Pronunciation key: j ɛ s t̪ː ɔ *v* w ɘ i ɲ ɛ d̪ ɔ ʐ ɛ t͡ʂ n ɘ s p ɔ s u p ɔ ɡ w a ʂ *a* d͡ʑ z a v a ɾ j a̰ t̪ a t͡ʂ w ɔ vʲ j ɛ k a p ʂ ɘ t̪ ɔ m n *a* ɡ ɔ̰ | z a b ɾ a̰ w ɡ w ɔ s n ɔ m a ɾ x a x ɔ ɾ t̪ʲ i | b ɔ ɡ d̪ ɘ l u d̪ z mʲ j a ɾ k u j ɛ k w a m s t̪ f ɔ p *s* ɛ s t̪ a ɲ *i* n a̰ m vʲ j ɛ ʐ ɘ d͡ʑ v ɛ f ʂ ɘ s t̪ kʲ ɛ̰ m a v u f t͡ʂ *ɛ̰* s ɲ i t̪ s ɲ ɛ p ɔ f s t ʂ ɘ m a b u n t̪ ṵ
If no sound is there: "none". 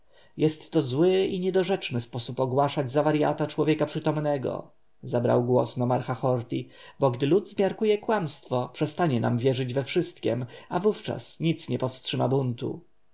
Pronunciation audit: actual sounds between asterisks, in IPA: z, a, ɛ, ʂ, ɛ, a̰

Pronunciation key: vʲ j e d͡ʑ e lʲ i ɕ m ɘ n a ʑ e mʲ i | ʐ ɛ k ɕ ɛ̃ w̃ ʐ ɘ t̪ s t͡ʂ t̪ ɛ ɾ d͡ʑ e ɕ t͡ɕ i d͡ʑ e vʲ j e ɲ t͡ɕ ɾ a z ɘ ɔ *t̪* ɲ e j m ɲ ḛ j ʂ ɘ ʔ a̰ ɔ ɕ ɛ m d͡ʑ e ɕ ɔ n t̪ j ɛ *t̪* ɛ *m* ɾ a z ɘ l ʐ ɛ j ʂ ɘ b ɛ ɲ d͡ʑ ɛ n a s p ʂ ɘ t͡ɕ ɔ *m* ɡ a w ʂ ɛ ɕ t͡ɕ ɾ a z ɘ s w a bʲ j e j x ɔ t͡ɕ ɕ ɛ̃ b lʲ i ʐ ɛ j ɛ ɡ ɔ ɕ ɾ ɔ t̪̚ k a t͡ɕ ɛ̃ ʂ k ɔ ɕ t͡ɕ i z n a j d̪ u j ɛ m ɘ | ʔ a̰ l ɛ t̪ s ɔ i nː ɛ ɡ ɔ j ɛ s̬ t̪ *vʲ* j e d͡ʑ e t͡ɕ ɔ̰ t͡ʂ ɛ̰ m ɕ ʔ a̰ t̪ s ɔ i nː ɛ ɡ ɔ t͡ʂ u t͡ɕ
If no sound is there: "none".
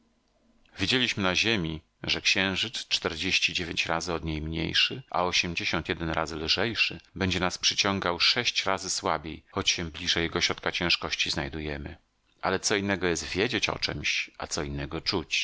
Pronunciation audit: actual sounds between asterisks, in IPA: d̪, d̪, n, ŋ, vʲ

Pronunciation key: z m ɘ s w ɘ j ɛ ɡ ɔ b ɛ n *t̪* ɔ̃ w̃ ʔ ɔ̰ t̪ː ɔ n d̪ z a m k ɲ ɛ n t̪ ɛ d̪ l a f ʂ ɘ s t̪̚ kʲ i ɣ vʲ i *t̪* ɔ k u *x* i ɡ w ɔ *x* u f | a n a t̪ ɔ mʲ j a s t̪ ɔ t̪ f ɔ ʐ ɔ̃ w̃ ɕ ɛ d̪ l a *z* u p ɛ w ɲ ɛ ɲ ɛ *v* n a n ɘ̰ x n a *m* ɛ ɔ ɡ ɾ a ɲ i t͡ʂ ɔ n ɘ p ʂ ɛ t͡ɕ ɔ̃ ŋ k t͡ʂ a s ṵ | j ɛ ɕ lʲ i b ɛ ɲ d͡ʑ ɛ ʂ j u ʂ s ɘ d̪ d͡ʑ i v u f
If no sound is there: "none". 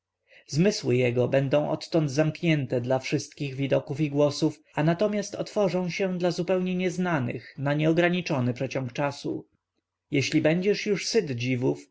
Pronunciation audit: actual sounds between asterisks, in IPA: d̪, d̪, f, s, z, z, ɲ

